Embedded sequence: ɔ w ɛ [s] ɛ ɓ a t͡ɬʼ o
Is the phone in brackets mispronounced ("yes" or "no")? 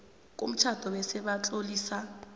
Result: no